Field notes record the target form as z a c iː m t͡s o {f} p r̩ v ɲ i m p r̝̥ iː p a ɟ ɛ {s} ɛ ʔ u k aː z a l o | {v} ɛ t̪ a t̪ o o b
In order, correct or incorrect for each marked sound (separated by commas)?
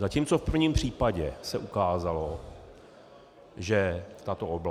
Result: correct, correct, incorrect